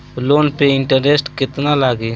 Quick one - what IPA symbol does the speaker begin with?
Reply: l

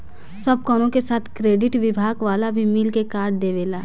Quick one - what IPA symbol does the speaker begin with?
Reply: s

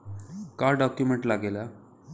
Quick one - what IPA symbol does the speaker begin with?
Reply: k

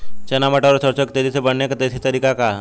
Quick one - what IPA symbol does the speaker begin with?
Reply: t͡ʃ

